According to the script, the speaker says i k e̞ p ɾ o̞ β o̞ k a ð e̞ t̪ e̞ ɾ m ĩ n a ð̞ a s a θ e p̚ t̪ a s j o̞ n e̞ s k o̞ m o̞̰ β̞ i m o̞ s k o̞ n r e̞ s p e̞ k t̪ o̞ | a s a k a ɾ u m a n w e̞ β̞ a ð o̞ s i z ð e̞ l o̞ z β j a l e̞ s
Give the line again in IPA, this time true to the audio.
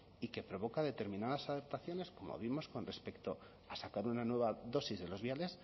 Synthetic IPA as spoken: i k e̞ p ɾ o̞ β o̞ k a ð e̞ t̪ e̞ ɾ m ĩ n a ð̞ a s a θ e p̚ t̪ a θ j o̞ n e̞ s k o̞ m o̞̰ β̞ i m o̞ s k o̞ n r e̞ s p e̞ k t̪ o̞ | a s a k a ɾ u n a n w e̞ β̞ a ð o̞ s i z ð e̞ l o̞ z β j a l e̞ s